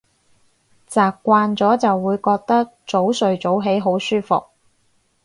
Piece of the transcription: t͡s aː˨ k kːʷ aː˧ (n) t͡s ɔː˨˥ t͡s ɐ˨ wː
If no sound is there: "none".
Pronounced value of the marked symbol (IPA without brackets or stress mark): n